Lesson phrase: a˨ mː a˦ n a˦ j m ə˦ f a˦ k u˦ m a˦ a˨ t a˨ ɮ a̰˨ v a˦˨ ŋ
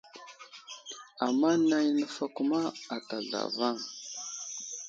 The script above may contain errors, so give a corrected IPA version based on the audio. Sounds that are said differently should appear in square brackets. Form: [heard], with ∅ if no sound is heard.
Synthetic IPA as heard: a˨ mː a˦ n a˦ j [n] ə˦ f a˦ k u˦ m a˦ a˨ t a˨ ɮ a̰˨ v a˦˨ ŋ